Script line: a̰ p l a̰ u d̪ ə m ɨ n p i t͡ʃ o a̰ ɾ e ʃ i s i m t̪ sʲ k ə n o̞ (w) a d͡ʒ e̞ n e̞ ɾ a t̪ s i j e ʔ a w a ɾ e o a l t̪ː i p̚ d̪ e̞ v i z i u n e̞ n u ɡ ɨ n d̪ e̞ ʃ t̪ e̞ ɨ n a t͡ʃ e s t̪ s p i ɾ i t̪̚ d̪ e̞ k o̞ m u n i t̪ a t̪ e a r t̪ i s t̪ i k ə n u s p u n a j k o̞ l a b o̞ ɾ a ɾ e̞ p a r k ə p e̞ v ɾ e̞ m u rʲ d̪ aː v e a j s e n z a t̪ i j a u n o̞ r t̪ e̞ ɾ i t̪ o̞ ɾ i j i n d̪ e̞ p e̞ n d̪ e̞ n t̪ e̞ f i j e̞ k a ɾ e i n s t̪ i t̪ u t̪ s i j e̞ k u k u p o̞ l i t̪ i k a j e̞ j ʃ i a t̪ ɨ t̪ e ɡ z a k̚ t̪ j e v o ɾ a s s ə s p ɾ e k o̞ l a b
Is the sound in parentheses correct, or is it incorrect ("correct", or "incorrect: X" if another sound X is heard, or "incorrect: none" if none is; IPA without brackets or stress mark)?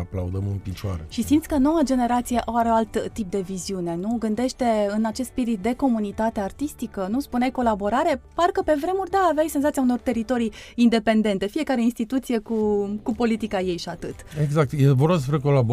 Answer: correct